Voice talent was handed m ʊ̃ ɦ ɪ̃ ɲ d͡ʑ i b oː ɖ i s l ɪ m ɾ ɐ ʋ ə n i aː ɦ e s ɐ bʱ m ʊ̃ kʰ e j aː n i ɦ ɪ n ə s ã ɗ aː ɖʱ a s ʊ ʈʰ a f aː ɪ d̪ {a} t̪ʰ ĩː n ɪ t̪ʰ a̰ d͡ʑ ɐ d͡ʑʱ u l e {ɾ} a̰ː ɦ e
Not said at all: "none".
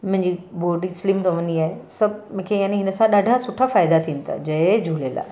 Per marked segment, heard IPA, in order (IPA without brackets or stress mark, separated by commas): a, l